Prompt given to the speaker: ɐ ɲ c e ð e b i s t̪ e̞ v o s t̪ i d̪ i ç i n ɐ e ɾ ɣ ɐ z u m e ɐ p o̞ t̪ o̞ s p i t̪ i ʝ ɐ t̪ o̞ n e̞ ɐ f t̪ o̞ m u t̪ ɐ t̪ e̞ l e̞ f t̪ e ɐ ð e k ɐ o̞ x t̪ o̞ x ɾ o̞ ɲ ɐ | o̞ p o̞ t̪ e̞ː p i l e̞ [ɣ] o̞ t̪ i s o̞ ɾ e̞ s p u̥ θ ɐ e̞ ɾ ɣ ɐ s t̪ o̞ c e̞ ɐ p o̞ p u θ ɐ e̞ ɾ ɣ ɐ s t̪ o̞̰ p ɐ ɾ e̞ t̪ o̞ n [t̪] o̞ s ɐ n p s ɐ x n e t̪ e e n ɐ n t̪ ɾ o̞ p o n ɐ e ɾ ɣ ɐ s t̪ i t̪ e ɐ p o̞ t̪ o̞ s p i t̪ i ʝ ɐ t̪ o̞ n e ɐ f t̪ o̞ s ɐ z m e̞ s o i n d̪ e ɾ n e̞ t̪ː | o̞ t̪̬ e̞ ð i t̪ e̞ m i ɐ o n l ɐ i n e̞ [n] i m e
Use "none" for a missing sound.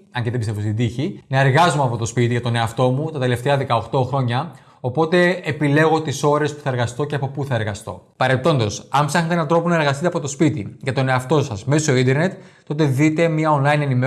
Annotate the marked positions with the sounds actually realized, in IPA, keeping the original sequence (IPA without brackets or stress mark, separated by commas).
ɣ, d̪, n